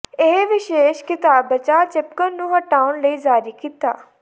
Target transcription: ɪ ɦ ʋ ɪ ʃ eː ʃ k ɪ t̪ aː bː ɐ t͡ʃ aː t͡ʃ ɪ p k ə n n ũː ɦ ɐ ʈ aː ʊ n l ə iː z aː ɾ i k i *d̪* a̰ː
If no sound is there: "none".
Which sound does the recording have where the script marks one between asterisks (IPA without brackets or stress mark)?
t̪